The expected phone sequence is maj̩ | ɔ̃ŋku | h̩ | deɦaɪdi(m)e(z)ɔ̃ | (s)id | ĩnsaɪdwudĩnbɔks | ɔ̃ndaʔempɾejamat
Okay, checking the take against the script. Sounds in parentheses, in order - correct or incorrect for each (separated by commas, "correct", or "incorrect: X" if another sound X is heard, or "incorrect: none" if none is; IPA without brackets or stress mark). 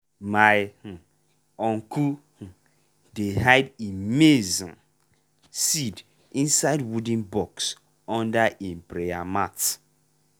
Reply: correct, correct, correct